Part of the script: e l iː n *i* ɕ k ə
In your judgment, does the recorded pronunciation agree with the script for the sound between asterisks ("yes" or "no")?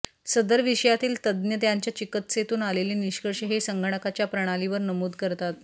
yes